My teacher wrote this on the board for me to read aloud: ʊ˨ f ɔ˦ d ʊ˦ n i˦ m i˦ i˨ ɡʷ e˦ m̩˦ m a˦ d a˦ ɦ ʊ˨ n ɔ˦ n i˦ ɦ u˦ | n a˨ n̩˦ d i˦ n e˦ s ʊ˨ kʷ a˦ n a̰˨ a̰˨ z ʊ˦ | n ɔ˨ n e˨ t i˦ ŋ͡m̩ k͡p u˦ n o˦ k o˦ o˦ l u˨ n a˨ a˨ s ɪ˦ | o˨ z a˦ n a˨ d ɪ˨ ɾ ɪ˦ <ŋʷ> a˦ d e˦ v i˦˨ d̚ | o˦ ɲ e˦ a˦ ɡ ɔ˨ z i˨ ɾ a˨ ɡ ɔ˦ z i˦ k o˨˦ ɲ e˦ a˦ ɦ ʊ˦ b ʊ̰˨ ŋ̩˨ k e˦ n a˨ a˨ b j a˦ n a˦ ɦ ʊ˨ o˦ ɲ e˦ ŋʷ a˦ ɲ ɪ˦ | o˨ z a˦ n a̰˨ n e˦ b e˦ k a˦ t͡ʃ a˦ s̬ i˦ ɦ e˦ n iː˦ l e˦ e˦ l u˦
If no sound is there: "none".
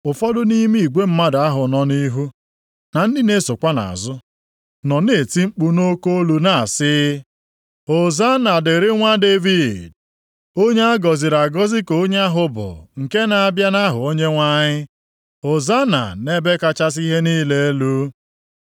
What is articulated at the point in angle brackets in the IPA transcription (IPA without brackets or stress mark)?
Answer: ŋʷ